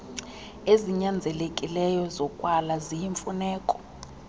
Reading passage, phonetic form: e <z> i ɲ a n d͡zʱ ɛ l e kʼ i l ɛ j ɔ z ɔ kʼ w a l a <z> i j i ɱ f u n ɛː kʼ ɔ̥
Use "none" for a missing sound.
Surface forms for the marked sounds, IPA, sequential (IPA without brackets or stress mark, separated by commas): z, z